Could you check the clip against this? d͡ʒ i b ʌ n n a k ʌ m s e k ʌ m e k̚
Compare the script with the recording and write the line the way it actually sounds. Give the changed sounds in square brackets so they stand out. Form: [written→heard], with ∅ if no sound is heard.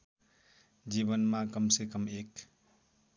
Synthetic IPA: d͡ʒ i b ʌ n [n→m] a k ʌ m s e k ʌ m e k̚